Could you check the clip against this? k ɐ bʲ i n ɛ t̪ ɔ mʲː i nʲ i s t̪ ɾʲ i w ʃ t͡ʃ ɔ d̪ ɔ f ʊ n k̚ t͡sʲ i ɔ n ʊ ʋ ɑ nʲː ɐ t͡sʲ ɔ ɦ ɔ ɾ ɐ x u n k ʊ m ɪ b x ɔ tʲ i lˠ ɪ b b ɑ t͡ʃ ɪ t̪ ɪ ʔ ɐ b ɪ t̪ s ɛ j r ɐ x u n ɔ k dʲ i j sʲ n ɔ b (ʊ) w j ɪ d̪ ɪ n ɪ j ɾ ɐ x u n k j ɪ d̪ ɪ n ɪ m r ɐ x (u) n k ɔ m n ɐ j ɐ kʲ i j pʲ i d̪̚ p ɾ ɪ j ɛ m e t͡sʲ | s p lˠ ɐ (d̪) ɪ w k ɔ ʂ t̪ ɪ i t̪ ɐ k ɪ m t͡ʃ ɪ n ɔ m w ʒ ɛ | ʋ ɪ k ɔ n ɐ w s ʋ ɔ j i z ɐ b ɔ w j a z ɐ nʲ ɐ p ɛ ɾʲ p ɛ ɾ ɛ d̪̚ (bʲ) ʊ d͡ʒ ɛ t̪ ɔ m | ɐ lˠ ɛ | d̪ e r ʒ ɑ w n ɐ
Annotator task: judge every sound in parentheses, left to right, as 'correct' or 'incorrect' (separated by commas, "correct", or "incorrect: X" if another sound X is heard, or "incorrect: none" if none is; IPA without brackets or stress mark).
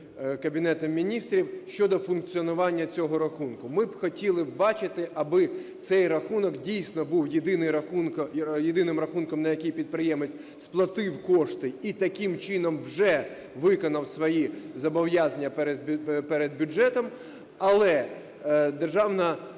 incorrect: u, correct, incorrect: t̪, correct